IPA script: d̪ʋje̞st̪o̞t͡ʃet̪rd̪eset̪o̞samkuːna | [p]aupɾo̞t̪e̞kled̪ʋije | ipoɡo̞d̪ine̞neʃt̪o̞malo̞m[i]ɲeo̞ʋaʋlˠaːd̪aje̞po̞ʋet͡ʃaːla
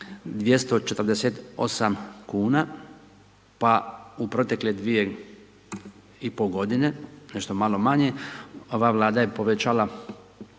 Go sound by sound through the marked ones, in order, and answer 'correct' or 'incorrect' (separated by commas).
correct, incorrect